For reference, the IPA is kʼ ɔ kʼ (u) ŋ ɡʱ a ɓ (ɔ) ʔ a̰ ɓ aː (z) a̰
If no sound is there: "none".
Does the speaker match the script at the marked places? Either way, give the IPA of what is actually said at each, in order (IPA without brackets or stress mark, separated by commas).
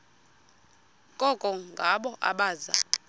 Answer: ɔ, ɔ, z